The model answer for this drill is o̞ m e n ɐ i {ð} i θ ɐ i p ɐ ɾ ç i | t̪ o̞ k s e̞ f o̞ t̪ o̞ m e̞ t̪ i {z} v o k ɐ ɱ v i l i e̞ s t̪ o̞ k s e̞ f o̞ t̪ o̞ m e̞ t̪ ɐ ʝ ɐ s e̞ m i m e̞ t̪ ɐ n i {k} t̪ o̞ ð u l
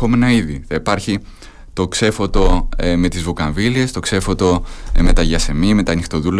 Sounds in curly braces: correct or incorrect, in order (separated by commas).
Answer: correct, correct, incorrect